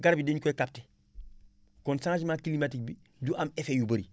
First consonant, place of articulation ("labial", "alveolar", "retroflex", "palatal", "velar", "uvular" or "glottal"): velar